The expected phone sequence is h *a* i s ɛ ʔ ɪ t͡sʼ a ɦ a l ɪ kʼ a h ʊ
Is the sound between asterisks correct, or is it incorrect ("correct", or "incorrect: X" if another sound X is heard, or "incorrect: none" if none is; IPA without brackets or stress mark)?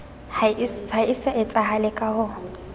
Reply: correct